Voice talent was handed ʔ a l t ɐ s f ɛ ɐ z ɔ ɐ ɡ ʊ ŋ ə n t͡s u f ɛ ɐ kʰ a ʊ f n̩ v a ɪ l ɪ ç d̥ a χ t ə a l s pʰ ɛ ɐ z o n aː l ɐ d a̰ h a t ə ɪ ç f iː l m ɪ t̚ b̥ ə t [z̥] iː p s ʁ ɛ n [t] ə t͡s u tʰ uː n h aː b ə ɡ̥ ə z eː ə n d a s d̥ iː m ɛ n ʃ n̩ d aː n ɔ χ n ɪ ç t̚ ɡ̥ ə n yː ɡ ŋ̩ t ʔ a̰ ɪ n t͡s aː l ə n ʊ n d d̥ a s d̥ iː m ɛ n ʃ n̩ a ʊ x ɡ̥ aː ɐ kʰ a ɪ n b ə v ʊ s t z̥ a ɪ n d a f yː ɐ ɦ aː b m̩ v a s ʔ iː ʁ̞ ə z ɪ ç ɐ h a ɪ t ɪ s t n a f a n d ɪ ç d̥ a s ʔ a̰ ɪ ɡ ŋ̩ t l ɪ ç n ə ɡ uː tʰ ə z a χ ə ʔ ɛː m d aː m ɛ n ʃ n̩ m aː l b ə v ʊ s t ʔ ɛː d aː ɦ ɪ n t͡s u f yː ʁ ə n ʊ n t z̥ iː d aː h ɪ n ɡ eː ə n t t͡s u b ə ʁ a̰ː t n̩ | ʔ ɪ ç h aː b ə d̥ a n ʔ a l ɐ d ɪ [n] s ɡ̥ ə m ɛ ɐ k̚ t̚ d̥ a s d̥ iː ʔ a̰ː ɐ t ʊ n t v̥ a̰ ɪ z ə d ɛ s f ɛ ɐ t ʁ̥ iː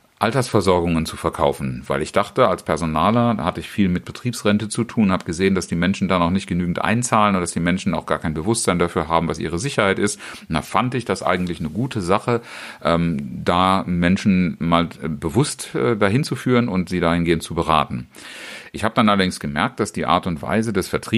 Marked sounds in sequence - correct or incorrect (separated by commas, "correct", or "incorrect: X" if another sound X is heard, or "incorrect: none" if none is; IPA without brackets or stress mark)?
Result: incorrect: ʁ̥, correct, incorrect: ŋ